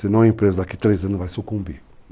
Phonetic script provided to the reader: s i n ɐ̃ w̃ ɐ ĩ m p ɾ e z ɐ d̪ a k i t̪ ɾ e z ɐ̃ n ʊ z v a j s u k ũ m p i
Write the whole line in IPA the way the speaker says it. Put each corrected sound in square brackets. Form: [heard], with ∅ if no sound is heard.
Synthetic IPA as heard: s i n ɐ̃ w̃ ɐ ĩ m p ɾ e z ɐ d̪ a k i t̪ ɾ e z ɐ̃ n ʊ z v a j s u k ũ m [b] i

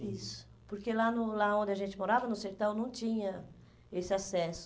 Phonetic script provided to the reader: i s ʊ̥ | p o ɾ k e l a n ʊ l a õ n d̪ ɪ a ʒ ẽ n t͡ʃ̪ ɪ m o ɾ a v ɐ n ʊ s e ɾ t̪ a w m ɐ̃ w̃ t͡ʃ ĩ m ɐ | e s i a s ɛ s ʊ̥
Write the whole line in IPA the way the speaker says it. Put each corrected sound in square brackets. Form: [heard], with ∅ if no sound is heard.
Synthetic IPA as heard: i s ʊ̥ | p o ɾ k e l a n ʊ l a õ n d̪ ɪ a ʒ ẽ n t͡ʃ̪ ɪ m o ɾ a v ɐ n ʊ s e ɾ t̪ a w [n] ɐ̃ w̃ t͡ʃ ĩ [ɲ] ɐ | e s [ɪ] a s ɛ s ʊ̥

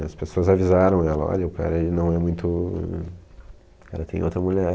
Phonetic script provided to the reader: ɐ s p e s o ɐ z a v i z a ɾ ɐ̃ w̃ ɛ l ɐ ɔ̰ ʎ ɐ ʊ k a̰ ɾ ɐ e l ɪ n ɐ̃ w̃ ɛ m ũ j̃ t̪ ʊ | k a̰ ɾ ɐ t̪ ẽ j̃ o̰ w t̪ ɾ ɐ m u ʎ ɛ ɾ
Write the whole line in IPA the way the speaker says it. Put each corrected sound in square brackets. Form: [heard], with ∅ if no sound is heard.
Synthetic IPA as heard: ɐ s p e s o ɐ z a v i z a ɾ ɐ̃ w̃ ɛ l ɐ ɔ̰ ʎ ɐ ʊ k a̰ ɾ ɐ e l ɪ n ɐ̃ w̃ ɛ m ũ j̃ t̪ ʊ | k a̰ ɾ ɐ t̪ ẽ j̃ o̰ w t̪ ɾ ɐ m u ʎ ɛ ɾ

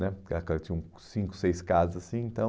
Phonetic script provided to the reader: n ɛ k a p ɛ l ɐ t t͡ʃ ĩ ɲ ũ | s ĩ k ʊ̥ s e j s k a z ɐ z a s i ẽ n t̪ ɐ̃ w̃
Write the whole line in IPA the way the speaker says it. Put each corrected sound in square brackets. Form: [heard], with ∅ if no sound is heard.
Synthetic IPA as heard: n ɛ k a [k] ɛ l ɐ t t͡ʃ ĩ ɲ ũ | s ĩ k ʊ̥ s e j s k a z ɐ z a s [ĩ] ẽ n t̪ ɐ̃ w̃

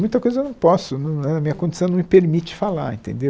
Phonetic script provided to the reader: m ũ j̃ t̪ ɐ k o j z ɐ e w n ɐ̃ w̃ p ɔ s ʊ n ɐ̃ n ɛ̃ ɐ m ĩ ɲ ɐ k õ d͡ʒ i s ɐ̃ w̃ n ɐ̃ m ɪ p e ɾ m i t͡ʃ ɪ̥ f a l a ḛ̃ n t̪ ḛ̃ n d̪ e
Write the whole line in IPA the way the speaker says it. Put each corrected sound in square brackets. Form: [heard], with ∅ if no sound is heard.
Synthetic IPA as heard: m ũ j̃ t̪ ɐ k o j z ɐ e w n ɐ̃ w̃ p ɔ s ʊ n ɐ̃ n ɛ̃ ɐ m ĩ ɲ ɐ k õ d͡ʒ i s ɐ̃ w̃ n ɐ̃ m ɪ p e ɾ m i t͡ʃ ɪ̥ f a l a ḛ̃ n t̪ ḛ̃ n d̪ e

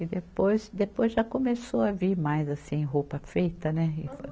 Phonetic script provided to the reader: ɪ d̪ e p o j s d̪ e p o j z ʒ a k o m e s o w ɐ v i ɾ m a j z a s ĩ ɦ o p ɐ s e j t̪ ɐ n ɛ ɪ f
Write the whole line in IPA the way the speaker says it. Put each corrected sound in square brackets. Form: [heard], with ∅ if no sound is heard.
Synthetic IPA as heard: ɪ d̪ e p o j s d̪ e p o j z ʒ a k o m e s o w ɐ v i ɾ m a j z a s ĩ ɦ o p ɐ [f] e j t̪ ɐ n ɛ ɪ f

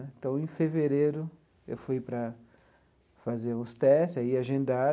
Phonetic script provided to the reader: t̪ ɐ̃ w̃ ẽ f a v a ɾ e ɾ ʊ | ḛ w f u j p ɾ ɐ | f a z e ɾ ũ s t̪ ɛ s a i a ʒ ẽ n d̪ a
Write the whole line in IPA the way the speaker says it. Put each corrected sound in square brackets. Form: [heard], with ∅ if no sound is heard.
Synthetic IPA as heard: t̪ ɐ̃ w̃ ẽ f [e] v [e] ɾ e ɾ ʊ | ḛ w f u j p ɾ ɐ | f a z e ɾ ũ s t̪ ɛ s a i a ʒ ẽ n d̪ a

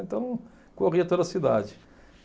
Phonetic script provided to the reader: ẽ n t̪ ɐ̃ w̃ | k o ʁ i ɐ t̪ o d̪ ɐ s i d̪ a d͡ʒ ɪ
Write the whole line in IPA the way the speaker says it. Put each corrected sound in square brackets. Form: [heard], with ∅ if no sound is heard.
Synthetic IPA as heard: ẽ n t̪ ɐ̃ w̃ | k o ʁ i ɐ t̪ o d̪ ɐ s i d̪ a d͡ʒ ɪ

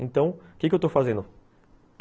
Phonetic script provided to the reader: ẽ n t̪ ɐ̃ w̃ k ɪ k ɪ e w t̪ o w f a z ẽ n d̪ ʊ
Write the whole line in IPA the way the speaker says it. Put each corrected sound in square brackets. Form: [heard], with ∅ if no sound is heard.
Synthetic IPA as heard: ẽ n t̪ ɐ̃ w̃ k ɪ k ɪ e w t̪ o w f a z ẽ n d̪ ʊ

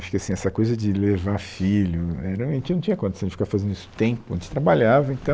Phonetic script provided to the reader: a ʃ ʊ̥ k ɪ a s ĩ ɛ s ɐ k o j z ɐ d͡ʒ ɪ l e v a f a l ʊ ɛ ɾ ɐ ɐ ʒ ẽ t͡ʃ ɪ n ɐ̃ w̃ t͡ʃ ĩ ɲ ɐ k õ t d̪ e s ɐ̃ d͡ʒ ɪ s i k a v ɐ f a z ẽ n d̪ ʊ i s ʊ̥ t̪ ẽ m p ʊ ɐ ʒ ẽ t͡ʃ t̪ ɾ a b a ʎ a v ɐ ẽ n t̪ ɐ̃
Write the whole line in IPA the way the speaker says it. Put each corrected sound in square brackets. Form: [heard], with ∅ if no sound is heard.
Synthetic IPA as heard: a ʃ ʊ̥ k ɪ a s ĩ ɛ s ɐ k o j z ɐ d͡ʒ ɪ l e v a f [i] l ʊ ɛ ɾ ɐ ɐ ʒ ẽ t͡ʃ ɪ n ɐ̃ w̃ t͡ʃ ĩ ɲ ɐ k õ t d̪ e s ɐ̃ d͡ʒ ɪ [f] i k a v ɐ f a z ẽ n d̪ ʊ i s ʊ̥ t̪ ẽ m p ʊ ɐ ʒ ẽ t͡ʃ t̪ ɾ a b a ʎ a v ɐ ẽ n t̪ ɐ̃

